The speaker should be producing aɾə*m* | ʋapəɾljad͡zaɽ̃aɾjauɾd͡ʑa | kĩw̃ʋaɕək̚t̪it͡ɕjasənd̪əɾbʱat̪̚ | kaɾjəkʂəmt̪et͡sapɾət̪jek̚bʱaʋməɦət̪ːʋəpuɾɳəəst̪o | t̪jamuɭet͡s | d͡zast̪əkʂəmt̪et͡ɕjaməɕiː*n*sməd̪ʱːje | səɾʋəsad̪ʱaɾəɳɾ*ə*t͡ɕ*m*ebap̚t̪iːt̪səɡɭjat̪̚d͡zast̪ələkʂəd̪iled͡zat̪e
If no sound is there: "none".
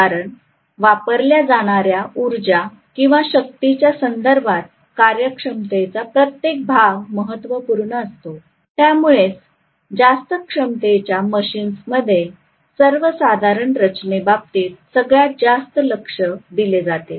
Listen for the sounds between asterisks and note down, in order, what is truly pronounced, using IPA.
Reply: ɳ, n, ə, n

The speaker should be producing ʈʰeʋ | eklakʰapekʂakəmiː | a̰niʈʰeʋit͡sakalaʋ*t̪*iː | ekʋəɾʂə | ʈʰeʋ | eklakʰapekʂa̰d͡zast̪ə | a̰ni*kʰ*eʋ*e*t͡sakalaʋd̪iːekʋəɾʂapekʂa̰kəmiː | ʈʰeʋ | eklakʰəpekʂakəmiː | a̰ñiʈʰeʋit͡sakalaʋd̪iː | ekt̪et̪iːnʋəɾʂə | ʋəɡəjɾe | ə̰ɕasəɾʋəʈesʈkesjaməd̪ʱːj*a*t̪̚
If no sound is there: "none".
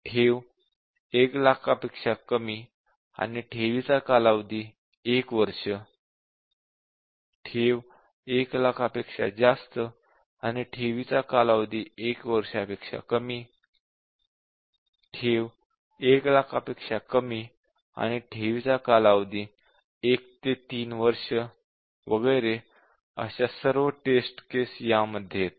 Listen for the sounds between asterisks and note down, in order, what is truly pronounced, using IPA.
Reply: d̪, ʈʰ, i, e

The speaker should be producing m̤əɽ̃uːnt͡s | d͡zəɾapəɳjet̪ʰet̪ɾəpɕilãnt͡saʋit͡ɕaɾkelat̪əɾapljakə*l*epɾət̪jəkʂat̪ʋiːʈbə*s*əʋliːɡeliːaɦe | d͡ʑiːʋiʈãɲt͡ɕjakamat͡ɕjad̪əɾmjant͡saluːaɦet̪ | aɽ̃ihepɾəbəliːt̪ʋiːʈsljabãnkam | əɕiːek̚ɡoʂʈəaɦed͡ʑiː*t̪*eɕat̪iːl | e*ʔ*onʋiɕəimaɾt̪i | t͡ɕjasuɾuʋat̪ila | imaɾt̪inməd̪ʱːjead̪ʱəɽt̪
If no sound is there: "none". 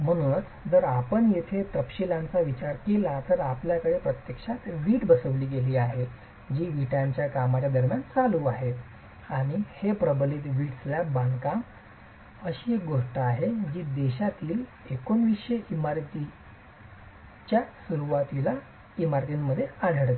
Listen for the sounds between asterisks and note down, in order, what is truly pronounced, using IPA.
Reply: ɽ, s, d̪, k

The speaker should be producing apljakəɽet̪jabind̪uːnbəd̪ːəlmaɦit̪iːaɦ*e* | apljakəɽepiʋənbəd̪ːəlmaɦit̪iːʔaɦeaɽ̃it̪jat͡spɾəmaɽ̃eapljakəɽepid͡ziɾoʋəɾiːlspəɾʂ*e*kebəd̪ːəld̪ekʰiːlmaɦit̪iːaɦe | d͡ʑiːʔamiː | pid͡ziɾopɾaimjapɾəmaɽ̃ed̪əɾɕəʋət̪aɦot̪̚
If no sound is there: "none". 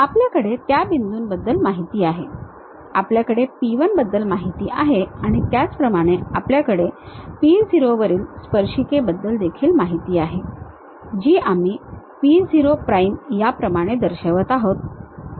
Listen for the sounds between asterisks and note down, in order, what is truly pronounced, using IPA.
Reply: e, i

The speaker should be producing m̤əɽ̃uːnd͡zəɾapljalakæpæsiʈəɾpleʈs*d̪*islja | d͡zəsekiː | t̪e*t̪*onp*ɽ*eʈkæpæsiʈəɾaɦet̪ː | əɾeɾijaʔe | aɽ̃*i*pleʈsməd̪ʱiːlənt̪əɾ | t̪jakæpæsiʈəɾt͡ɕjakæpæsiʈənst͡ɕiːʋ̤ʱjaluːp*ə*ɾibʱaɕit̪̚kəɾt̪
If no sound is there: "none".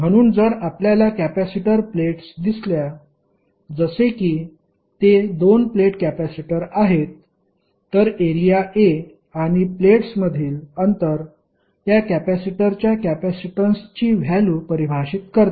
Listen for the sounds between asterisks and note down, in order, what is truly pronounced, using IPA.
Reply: d̪, d̪, l, i, ə

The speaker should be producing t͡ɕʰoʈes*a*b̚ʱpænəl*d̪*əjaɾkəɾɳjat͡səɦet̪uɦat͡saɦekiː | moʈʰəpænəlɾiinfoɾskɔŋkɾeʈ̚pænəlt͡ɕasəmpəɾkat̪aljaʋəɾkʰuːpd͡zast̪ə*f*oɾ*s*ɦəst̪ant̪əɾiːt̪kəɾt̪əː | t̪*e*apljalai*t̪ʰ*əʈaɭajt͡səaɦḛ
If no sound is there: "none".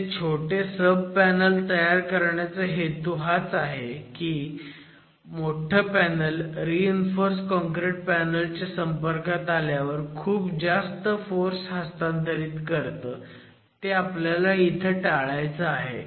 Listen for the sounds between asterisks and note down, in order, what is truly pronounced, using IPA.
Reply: ə, t̪, f, s, e, t̪ʰ

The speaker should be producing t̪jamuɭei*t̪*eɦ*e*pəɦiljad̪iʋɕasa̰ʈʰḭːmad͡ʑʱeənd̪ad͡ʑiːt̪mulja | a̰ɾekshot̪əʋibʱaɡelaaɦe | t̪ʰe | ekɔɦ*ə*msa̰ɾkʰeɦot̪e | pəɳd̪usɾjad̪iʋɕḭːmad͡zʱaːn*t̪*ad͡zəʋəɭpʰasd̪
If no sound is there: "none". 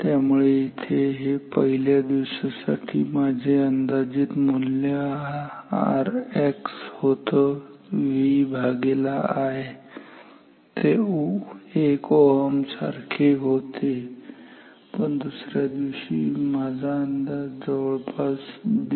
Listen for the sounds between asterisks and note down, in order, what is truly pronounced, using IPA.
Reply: t̪ʰ, e, ə, d̪

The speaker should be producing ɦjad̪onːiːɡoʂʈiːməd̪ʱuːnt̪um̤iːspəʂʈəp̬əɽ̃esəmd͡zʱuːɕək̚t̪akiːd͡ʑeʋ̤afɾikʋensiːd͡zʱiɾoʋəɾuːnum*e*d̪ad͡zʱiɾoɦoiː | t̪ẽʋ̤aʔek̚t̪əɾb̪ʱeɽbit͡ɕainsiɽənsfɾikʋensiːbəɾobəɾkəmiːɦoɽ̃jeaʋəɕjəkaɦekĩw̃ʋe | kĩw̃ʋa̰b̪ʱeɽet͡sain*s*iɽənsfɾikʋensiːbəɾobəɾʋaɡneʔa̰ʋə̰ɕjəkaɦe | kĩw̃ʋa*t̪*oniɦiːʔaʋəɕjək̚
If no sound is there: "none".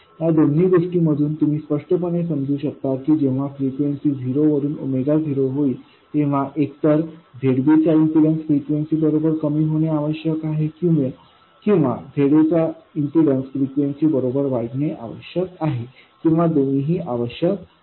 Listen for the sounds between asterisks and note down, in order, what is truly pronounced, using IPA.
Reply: e, s, d̪

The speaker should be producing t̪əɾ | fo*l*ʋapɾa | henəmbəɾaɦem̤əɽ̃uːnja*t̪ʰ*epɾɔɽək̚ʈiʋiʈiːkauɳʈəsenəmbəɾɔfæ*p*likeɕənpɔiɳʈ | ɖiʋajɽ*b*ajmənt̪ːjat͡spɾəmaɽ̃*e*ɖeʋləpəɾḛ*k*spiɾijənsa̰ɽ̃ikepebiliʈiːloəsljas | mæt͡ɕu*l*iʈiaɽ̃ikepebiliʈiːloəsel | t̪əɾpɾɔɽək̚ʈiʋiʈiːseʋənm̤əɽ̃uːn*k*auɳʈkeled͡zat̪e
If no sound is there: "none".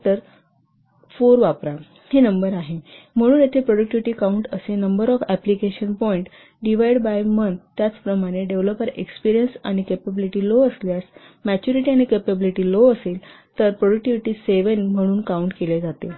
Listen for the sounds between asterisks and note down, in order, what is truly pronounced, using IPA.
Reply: ɾ, t̪ʰ, p, b, e, k, ɾ, k

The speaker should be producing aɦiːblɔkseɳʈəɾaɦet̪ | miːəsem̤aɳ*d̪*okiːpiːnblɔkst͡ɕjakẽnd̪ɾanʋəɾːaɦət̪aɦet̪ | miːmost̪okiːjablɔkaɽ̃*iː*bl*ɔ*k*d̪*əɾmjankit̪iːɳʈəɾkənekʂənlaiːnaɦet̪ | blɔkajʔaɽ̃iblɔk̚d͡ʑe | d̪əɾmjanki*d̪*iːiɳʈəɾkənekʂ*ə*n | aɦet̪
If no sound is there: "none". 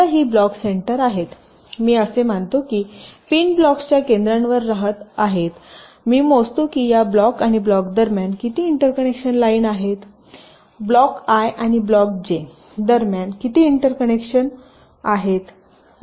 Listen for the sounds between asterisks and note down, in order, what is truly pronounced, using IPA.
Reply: t̪, i, ɔ, d̪, t̪, ə

